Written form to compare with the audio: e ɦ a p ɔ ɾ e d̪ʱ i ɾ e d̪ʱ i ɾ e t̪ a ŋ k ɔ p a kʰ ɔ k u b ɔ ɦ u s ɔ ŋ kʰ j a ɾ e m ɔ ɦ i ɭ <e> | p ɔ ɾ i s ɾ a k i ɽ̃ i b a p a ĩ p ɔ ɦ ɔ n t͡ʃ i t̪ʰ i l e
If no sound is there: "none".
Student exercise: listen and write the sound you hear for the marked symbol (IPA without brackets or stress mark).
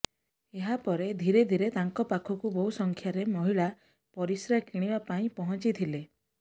a